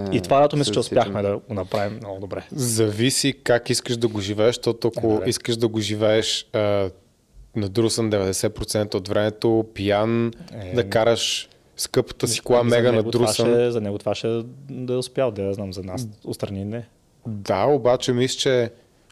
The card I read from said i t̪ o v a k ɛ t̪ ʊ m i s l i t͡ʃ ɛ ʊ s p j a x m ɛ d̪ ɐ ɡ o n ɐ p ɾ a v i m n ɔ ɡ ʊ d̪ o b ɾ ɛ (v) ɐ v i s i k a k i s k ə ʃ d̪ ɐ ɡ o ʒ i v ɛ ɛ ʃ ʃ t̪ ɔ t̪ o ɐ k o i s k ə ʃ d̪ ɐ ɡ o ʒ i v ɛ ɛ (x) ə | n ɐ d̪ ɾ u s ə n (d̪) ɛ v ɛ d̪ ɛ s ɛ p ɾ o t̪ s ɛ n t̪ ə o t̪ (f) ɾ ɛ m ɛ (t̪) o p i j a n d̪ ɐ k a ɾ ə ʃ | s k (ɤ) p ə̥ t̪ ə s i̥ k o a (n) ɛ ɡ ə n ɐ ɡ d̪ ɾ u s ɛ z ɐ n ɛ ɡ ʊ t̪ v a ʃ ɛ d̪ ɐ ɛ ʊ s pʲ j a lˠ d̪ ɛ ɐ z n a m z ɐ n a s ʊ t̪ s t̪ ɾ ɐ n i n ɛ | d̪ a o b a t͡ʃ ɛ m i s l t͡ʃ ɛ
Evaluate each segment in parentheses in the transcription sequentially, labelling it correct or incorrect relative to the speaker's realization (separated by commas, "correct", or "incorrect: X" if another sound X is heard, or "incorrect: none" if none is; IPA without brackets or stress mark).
incorrect: z, incorrect: ʃ, correct, incorrect: v, correct, correct, incorrect: m